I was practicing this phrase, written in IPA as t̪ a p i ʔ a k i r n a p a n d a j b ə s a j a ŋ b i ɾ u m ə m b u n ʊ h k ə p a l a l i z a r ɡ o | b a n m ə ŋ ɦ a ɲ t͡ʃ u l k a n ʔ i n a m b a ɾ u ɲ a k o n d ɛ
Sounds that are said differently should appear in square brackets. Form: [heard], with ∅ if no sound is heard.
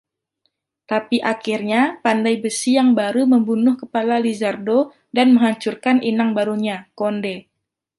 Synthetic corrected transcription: t̪ a p i ʔ a k i r [ɲ] a p a n d a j b ə s [i] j a ŋ b [a] ɾ u m ə m b u n ʊ h k ə p a l a l i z a r [d] o | [d] a n m ə ŋ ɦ a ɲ t͡ʃ u [r] k a n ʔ i n a [ŋ] b a ɾ u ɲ a k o n d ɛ